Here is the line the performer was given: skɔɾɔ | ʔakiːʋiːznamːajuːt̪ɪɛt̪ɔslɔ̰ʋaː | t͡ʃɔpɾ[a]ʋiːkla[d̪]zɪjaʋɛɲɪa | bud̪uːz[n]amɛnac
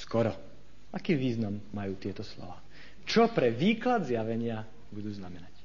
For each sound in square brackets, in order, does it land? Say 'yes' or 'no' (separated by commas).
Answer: no, yes, yes